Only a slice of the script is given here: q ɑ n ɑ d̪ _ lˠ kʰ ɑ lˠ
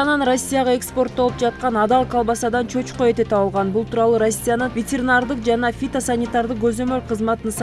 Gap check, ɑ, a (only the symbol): ɑ